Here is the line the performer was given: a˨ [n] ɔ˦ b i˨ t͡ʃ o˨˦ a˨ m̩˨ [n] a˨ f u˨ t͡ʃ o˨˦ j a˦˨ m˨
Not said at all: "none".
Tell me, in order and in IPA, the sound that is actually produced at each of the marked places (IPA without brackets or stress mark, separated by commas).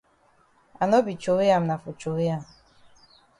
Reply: n, n